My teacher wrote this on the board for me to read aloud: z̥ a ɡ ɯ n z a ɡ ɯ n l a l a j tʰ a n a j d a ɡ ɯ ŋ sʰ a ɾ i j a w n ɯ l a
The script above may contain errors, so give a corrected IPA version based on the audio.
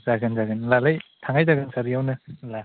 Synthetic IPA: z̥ a ɡ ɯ n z a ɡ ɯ n l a l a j tʰ a ŋ a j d a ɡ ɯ n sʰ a ɾ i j a w n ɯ l a